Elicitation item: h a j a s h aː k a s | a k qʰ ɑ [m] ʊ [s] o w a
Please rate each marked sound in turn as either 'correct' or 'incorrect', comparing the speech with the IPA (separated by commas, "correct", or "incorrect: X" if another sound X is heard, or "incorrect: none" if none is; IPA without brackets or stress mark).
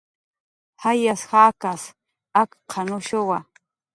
incorrect: n, incorrect: ʃ